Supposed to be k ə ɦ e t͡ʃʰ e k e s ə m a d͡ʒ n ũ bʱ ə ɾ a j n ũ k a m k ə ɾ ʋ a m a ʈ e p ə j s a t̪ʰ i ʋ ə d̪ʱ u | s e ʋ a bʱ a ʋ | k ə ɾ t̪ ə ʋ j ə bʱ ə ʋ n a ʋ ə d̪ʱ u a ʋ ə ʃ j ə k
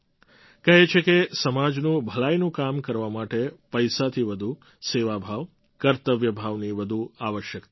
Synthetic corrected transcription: k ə ɦ e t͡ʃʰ e k e s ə m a d͡ʒ n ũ bʱ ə l a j n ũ k a m k ə ɾ ʋ a m a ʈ e p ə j s a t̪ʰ i ʋ ə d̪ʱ u | s e ʋ a bʱ a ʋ | k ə ɾ t̪ ə ʋ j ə bʱ a ʋ n i ʋ ə d̪ʱ u a ʋ ə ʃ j ə k

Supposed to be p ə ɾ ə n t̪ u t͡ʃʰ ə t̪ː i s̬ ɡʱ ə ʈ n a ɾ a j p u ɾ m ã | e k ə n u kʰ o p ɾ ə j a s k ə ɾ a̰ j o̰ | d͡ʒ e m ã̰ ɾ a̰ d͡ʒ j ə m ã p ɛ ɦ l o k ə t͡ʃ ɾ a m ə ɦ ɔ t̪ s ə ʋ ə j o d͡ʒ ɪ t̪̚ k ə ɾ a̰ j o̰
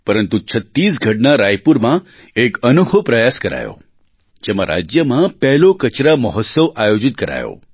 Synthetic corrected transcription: p ə ɾ ə n t̪ u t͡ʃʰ ə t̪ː i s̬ ɡʱ ə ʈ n a ɾ a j p u ɾ m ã | e k ə n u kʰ o p ɾ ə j a s k ə ɾ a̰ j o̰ | d͡ʒ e m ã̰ ɾ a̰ d͡ʒ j ə m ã p ɛ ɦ l o k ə t͡ʃ ɾ a m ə ɦ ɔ t̪ s ə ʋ a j o d͡ʒ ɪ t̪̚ k ə ɾ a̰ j o̰

